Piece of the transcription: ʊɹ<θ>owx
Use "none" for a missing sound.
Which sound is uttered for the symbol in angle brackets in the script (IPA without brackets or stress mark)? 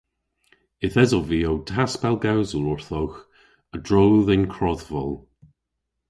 θ